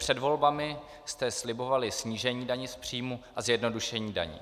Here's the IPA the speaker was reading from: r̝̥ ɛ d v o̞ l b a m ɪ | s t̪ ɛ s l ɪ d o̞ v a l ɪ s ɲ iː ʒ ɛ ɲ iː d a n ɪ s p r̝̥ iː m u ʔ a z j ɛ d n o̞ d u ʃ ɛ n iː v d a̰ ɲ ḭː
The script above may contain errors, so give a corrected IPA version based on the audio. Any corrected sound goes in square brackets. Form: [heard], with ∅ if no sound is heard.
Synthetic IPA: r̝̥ ɛ d v o̞ l b a m ɪ | s t̪ ɛ s l ɪ [b] o̞ v a l ɪ s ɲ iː ʒ ɛ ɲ iː d a [ɲ] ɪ s p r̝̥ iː m u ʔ a z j ɛ d n o̞ d u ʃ ɛ [ɲ] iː [∅] d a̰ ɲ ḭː